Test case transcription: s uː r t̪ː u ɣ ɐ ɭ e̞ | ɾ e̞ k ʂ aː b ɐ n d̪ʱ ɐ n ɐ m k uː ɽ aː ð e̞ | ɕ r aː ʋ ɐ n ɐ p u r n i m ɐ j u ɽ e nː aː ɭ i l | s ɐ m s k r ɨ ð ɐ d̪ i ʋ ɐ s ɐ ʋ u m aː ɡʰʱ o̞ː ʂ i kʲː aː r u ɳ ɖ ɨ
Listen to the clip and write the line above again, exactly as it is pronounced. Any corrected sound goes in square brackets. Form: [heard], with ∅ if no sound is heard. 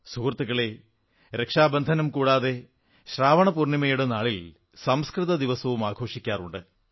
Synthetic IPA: s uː r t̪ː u ɣ ɐ ɭ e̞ | ɾ e̞ k ʂ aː b ɐ n d̪ʱ ɐ n ɐ m k uː ɽ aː ð e̞ | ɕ r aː ʋ ɐ [ɳ] ɐ p u r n i m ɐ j u ɽ e [n] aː ɭ i l | s ɐ m s k r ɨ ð ɐ d̪ i ʋ ɐ s ɐ ʋ u m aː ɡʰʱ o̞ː ʂ i kʲː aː r u ɳ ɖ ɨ